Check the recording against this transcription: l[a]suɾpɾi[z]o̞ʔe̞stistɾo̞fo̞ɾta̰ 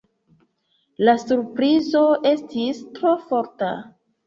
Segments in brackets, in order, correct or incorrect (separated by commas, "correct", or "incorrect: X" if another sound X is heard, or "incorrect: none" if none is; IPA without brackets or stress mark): correct, correct